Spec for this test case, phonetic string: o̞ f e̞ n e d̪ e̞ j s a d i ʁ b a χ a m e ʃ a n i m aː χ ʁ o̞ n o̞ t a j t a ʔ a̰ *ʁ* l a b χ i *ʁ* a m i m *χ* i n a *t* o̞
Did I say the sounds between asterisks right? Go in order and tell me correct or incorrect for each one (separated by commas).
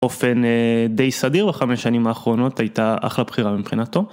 incorrect, correct, correct, correct